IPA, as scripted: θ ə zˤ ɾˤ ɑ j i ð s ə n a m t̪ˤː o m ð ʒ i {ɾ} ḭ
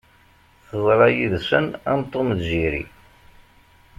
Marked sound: correct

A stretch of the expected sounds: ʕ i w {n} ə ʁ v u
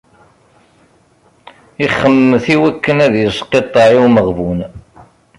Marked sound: incorrect: m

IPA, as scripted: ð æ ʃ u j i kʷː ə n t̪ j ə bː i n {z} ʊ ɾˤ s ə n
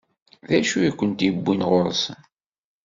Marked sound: incorrect: ʁ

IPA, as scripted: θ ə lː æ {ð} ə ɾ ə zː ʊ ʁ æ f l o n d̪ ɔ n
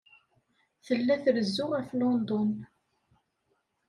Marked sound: incorrect: θ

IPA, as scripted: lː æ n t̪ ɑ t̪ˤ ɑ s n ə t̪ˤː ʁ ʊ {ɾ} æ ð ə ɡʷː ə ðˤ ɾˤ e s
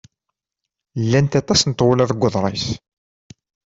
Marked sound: incorrect: l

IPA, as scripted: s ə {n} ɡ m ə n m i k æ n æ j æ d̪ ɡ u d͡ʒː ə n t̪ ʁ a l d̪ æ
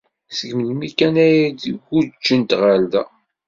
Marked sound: incorrect: none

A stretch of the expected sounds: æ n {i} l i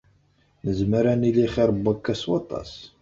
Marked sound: correct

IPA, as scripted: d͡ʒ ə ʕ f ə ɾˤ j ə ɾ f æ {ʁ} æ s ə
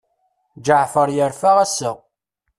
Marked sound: correct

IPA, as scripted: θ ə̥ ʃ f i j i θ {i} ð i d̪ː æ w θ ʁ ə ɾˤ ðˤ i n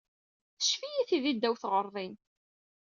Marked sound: correct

